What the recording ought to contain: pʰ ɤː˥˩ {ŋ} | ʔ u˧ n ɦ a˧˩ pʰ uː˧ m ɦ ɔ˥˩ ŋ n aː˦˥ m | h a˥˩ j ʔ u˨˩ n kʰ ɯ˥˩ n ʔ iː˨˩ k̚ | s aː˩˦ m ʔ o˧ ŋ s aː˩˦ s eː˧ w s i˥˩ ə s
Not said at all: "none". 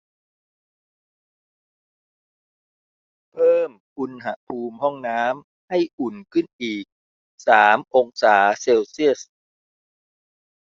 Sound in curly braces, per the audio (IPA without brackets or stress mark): m